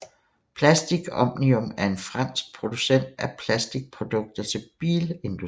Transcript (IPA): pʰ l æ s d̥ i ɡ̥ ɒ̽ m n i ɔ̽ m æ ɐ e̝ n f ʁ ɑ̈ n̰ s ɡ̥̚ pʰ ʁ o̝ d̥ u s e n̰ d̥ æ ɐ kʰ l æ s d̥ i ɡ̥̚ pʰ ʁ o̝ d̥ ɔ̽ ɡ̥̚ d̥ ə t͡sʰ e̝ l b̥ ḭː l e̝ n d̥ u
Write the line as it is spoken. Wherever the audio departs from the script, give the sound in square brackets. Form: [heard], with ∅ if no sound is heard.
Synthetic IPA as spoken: pʰ l æ s d̥ i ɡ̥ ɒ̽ m n i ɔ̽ m æ ɐ e̝ n f ʁ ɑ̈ n̰ s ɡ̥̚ pʰ ʁ o̝ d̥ u s e n̰ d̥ æ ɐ [pʰ] l æ s d̥ i ɡ̥̚ pʰ ʁ o̝ d̥ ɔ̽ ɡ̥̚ d̥ [ɐ] t͡sʰ e̝ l b̥ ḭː l e̝ n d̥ u